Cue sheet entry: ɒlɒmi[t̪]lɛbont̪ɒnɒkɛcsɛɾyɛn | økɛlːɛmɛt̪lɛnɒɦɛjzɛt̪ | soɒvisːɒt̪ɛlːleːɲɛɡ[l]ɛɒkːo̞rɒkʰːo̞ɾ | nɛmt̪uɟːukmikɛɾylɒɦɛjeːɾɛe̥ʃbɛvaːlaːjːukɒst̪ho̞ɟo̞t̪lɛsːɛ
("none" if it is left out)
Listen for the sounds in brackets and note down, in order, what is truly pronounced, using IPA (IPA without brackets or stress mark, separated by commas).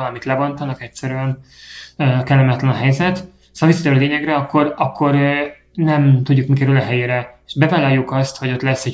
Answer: t̪, r